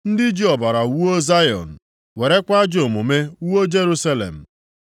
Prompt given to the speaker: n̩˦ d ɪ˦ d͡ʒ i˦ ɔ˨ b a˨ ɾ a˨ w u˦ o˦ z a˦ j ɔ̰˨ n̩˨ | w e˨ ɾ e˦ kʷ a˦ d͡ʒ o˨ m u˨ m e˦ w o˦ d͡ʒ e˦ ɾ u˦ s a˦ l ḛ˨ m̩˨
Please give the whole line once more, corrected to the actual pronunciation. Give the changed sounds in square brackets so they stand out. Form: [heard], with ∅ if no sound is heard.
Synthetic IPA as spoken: n̩˦ d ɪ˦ d͡ʒ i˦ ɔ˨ b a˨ ɾ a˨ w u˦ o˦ z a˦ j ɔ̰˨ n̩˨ | w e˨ ɾ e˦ kʷ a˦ d͡ʒ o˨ m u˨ m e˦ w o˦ d͡ʒ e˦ ɾ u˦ s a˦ l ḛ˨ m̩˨